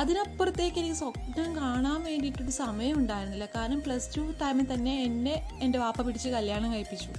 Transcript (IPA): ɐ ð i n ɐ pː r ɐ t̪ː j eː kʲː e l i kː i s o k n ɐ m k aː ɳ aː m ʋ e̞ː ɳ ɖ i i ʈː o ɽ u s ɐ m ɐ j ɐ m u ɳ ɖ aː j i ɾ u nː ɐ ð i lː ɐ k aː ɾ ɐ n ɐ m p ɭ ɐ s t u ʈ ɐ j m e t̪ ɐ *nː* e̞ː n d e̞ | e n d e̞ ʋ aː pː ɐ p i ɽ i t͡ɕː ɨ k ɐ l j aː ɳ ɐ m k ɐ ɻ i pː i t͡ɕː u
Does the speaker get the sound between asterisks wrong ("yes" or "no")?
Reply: no